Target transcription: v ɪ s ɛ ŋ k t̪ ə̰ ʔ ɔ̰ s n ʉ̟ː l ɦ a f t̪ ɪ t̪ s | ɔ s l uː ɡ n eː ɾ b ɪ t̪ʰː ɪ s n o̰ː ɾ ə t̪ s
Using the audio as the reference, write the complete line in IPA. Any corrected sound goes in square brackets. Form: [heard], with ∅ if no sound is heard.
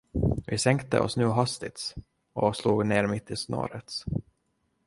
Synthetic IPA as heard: v ɪ s ɛ ŋ k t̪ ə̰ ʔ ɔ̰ s n ʉ̟ː [∅] ɦ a [s] t̪ ɪ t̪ s | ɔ s l uː ɡ n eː ɾ [m] ɪ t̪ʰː ɪ s n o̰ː ɾ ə t̪ s